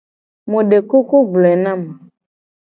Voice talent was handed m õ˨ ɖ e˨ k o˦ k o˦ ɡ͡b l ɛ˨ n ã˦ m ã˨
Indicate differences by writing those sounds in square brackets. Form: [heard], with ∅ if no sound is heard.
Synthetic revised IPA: m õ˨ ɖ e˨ k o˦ k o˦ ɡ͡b l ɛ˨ n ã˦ m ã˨